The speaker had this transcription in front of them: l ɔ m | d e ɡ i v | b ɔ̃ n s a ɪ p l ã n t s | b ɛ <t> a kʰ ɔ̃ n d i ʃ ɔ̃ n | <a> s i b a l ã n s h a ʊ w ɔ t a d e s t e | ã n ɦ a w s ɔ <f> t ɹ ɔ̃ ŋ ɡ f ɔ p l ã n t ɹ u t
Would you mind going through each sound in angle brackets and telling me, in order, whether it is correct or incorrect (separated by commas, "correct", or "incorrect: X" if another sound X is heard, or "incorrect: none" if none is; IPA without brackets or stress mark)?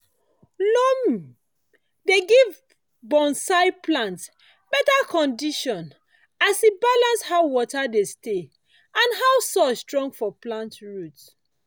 correct, correct, incorrect: s